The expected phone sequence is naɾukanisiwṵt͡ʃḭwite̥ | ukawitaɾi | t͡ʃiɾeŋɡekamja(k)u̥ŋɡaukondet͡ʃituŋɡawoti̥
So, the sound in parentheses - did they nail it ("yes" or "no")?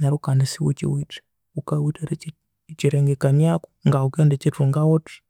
yes